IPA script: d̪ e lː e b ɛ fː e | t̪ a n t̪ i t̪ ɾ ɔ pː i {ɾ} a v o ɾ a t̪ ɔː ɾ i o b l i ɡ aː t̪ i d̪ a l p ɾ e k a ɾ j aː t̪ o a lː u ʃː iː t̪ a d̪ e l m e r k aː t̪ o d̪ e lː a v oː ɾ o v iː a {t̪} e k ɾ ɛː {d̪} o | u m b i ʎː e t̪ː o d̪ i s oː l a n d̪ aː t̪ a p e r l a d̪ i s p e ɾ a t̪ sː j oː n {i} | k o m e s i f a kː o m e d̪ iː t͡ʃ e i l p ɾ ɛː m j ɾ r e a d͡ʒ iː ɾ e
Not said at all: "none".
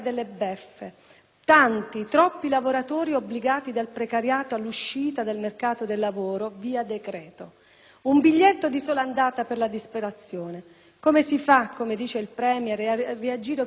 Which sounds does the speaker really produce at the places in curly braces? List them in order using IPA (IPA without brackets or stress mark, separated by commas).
l, d̪, t̪, e